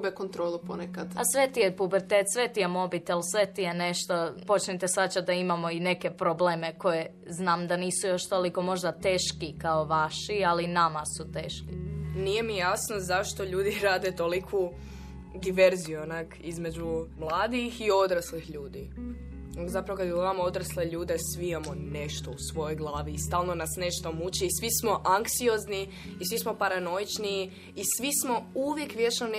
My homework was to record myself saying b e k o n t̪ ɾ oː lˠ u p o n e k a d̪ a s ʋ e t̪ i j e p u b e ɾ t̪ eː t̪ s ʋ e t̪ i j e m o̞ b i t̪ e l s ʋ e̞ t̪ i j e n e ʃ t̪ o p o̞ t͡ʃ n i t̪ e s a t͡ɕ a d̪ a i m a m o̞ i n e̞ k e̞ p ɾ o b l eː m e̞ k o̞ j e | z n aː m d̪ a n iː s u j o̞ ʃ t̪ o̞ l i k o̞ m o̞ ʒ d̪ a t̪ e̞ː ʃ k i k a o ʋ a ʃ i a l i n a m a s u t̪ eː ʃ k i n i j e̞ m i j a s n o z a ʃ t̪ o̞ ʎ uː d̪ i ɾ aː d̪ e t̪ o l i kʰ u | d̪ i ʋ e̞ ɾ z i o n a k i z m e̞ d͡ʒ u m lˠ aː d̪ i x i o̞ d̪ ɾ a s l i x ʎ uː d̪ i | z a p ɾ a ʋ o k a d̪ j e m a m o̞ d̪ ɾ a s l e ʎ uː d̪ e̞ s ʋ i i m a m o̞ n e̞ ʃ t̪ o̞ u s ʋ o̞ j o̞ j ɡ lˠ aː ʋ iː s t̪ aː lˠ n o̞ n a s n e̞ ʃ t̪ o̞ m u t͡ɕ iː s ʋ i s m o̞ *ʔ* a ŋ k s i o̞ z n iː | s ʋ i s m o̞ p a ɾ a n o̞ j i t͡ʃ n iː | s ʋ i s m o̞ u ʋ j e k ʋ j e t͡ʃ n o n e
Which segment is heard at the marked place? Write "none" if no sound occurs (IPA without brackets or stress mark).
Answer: ʔ